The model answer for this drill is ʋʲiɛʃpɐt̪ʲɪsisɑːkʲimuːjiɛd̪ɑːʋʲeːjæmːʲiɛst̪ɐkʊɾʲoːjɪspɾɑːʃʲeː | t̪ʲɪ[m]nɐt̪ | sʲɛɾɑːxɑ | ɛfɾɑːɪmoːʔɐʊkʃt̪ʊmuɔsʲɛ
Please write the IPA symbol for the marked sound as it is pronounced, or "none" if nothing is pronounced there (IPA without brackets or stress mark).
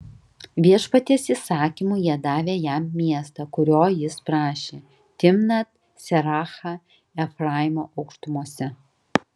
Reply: m